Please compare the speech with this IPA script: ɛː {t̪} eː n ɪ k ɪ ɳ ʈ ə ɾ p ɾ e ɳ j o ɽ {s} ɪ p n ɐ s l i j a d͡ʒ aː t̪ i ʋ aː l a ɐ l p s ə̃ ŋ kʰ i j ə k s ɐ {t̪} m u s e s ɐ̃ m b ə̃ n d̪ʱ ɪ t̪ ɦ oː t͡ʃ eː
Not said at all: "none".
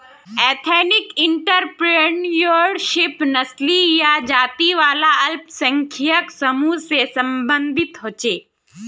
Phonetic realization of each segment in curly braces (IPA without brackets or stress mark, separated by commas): t̪ʰ, ʃ, none